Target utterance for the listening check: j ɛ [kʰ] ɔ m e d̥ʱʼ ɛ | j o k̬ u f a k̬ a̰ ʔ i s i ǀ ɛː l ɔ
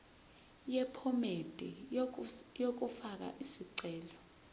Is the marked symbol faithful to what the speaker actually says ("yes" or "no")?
no